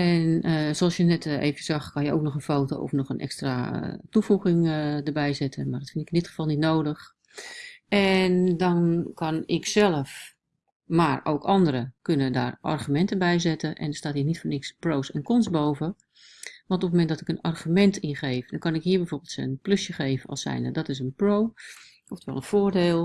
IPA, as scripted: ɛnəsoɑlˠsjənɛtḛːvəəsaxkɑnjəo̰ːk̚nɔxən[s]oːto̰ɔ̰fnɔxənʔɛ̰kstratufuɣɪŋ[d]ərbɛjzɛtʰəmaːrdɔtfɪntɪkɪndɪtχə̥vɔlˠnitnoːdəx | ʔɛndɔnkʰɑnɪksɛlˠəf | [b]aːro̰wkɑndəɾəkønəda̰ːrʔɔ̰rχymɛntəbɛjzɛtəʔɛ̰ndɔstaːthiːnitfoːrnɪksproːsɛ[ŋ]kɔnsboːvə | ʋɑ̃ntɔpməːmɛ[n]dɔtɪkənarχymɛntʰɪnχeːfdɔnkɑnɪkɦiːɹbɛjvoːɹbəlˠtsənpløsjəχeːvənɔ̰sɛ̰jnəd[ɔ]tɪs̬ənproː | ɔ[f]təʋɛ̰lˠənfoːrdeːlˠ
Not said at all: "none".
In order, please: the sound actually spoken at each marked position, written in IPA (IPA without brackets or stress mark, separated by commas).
f, d, m, n, n, ɔ, f